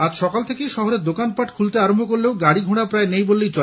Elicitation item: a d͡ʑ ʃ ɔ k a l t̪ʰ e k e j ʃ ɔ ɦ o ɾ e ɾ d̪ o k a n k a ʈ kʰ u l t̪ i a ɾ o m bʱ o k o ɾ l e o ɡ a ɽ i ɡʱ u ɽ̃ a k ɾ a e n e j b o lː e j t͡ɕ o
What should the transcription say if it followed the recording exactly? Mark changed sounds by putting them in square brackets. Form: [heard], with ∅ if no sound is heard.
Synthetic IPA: a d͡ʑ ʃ ɔ k a l t̪ʰ e k e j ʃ ɔ ɦ o ɾ e ɾ d̪ o k a n [p] a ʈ kʰ u l t̪ [e] a ɾ o m bʱ o k o ɾ l e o ɡ a ɽ i ɡʱ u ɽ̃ a [p] ɾ a e n e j b o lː e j t͡ɕ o

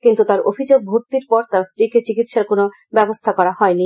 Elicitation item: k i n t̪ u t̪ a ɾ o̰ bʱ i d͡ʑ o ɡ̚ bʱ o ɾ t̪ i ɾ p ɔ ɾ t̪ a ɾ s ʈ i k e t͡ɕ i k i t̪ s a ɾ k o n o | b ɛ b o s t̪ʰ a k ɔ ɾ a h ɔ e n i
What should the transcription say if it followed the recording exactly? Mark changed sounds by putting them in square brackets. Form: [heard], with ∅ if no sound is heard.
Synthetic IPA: k i n t̪ u t̪ a ɾ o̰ bʱ i d͡ʑ o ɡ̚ bʱ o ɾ t̪ i ɾ p ɔ ɾ t̪ a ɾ s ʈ i k e t͡ɕ i k i t̪ [ʃ] a ɾ k o n o | b ɛ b o s t̪ʰ a k ɔ ɾ a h ɔ e n i

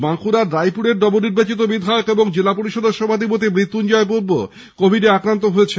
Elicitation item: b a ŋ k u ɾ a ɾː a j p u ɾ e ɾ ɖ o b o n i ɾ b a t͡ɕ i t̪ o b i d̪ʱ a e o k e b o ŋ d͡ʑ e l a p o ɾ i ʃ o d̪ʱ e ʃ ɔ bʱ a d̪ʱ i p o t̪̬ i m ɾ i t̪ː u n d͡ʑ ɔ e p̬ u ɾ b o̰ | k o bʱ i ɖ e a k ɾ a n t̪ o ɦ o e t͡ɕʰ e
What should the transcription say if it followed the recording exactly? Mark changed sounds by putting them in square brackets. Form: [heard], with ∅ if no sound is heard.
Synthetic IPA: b a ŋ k u ɾ a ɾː a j p u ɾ e ɾ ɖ [ɔ] b o n i ɾ b a t͡ɕ i t̪ o b i d̪ʱ a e o k e b o ŋ d͡ʑ e l a p o ɾ i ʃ o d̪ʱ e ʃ ɔ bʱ a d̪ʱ i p o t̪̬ i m ɾ i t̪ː u n d͡ʑ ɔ e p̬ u ɾ b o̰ | k o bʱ i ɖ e a k ɾ a n t̪ o ɦ o e t͡ɕʰ e

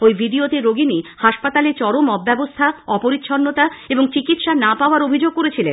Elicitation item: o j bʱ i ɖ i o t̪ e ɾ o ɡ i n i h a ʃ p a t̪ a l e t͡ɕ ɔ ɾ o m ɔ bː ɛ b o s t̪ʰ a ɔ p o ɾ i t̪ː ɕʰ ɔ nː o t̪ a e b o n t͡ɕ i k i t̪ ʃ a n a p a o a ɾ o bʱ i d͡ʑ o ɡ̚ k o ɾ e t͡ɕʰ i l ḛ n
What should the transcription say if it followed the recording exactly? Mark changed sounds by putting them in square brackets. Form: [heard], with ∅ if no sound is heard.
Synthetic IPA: o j bʱ i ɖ i o t̪ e ɾ o ɡ i n i h a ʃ p a t̪ a l e t͡ɕ ɔ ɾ o m ɔ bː ɛ b o s t̪ʰ a ɔ p o ɾ i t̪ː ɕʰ ɔ nː o t̪ a e b o [ŋ] t͡ɕ i k i t̪ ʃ a n a p a o a ɾ o bʱ i d͡ʑ o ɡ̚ k o ɾ e t͡ɕʰ i l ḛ n

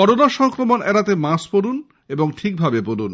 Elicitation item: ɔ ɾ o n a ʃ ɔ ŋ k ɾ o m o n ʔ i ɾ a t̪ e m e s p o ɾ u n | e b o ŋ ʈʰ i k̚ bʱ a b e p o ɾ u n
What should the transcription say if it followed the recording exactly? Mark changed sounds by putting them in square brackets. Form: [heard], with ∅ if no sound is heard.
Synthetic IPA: ɔ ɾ o n a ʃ ɔ ŋ k ɾ o m o n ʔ [ɛ] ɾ a t̪ e m [a] s p o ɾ u n | e b o ŋ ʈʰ i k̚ bʱ a b e p o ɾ u n

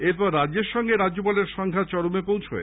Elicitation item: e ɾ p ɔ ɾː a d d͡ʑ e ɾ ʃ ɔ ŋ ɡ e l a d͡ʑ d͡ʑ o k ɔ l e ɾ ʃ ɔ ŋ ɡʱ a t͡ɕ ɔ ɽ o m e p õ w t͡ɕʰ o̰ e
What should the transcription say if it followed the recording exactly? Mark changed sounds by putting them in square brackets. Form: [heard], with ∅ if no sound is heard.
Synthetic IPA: e ɾ p ɔ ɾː a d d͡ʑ e ɾ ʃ ɔ ŋ ɡ e [ɾ] a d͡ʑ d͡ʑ o [p] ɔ l e ɾ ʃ ɔ ŋ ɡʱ a t͡ɕ ɔ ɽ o m e p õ w t͡ɕʰ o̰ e

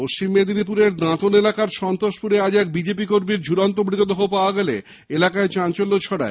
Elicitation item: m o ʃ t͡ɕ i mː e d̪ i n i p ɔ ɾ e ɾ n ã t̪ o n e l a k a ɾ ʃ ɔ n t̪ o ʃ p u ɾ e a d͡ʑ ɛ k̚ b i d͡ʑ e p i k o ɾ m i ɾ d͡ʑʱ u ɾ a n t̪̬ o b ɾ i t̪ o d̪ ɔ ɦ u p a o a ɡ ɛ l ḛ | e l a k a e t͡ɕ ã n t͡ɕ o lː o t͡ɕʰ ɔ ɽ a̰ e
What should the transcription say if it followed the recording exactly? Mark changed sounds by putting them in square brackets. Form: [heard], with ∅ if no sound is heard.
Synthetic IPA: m o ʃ t͡ɕ i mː e d̪ i n i p [u] ɾ e ɾ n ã t̪ o n e l a k a ɾ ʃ ɔ n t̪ o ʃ p u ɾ e a d͡ʑ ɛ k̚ b i d͡ʑ e p i k o ɾ m i ɾ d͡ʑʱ u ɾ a n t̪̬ o b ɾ i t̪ o d̪ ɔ ɦ [o] p a o a ɡ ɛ l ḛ | e l a k a e t͡ɕ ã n t͡ɕ o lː o t͡ɕʰ ɔ ɽ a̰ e

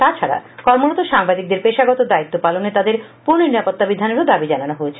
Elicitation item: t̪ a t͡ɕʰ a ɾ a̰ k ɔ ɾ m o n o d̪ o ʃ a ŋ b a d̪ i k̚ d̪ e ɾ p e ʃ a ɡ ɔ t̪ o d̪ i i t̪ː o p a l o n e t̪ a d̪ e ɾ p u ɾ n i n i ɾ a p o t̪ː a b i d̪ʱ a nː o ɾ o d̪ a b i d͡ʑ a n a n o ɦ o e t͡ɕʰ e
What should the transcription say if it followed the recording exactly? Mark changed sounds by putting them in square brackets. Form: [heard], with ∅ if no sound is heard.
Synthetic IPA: t̪ a t͡ɕʰ a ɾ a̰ k ɔ ɾ m o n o [t̪] o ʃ a ŋ b a d̪ i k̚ d̪ e ɾ p e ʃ a ɡ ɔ t̪ o d̪ [a] i t̪ː o p a l o n e t̪ a d̪ e ɾ p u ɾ n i n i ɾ a p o t̪ː a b i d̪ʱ a [n] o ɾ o d̪ a b i d͡ʑ a n a n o ɦ o e t͡ɕʰ e

